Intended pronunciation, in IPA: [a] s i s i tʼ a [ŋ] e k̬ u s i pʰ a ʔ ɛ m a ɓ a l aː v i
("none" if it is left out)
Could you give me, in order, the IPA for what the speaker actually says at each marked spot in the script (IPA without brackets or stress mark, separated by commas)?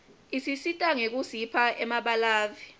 i, ŋ